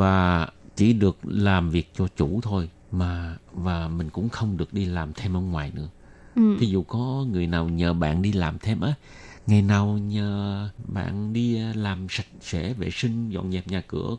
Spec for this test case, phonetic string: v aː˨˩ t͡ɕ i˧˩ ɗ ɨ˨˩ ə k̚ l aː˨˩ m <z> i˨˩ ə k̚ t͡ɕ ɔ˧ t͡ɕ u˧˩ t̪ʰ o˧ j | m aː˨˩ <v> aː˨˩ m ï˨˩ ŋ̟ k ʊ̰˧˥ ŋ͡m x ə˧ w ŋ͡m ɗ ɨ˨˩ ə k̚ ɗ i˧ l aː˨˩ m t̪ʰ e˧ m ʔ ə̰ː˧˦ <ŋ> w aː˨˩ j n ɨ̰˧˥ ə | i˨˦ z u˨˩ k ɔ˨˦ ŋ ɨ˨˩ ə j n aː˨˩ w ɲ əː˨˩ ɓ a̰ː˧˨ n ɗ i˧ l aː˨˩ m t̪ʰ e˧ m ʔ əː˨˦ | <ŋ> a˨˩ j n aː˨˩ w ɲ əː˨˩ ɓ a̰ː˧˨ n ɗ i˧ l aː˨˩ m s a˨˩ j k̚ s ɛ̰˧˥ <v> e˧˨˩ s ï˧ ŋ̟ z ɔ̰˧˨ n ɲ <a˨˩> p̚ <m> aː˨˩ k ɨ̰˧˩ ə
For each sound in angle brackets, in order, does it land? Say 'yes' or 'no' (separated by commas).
no, yes, yes, yes, yes, no, no